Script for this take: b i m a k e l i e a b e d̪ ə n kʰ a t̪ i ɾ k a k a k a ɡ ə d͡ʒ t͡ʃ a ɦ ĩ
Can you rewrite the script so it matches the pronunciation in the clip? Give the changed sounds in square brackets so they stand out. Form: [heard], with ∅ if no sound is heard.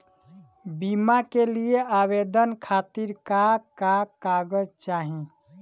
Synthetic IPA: b i m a k e l i e a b e d̪ ə n kʰ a t̪ i ɾ k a k a k a ɡ ə d͡ʒ t͡ʃ a ɦ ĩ